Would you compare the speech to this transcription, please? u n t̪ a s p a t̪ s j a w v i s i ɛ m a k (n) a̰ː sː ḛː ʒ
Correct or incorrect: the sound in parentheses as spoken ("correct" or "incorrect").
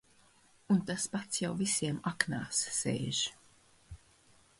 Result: correct